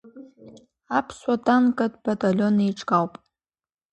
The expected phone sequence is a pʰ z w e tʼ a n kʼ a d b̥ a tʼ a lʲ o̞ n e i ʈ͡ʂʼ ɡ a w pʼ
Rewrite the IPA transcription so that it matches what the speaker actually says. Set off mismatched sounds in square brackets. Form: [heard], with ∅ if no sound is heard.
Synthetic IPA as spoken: a pʰ [s] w [a] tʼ a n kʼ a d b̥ a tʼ a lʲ o̞ n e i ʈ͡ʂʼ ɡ a w pʼ